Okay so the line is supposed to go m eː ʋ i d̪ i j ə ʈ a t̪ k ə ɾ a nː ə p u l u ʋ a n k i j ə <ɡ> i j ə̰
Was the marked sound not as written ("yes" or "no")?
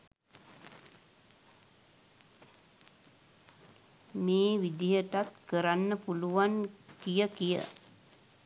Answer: yes